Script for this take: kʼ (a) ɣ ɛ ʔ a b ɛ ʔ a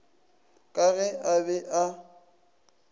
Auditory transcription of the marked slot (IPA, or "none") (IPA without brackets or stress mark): a